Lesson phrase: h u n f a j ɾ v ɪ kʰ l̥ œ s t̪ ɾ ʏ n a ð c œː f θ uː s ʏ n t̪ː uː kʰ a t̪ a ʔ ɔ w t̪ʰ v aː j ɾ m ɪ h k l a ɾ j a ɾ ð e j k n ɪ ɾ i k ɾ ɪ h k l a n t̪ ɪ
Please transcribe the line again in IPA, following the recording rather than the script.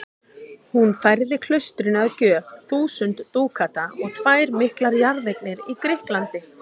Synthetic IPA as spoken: h u n f a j ɾ ð ɪ kʰ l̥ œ s t̪ ɾ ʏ n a ð c œː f θ uː s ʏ n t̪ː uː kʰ a t̪ a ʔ ɔ ɣ t̪ʰ v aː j ɾ m ɪ h k l a ɾ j a ɾ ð e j k n ɪ ɾ i k ɾ ɪ h k l a n t̪ ɪ